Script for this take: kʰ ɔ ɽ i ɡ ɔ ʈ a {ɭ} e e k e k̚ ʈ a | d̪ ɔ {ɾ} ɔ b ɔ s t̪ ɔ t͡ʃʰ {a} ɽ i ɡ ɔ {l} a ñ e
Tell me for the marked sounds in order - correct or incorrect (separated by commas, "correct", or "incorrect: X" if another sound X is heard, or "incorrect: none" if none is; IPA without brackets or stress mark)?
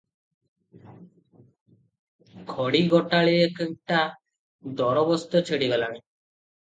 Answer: correct, correct, incorrect: e, correct